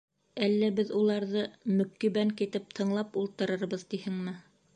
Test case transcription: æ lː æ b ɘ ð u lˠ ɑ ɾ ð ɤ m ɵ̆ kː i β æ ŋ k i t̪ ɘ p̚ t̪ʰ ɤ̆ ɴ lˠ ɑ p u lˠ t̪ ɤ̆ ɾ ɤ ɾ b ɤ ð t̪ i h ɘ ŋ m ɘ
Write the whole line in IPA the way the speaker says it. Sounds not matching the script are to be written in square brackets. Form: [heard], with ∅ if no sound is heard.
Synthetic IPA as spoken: æ lː æ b ɘ ð u lˠ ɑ ɾ ð ɤ m ɵ̆ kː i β æ ŋ k i t̪ ɘ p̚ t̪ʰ ɤ̆ ɴ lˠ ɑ p u lˠ t̪ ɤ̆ ɾ ɤ ɾ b ɤ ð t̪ i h ɘ ŋ m ɘ